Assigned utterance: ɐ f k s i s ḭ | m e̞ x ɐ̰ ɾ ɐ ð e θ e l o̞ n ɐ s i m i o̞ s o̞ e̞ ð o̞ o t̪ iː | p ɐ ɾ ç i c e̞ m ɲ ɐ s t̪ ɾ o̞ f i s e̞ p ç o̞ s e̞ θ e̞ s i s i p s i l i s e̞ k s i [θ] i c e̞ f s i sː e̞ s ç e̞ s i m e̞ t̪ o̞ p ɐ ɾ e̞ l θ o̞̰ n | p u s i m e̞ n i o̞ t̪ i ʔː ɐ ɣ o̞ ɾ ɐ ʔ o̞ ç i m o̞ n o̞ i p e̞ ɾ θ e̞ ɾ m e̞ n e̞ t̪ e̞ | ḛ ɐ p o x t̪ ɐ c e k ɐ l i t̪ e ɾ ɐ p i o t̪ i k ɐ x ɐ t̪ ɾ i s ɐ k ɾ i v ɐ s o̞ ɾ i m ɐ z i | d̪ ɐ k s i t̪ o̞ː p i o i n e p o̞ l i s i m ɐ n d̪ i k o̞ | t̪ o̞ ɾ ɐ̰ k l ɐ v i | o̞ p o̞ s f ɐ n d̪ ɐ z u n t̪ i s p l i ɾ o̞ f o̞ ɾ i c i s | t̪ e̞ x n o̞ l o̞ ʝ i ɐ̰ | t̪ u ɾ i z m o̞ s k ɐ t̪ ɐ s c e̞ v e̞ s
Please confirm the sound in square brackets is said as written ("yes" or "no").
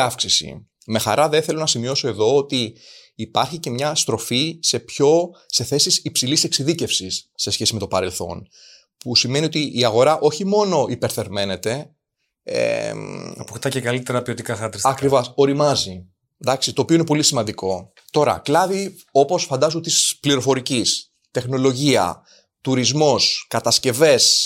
no